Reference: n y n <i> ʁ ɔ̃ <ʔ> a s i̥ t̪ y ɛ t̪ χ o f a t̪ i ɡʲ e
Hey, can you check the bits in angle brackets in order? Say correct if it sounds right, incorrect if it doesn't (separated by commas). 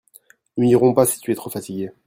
correct, incorrect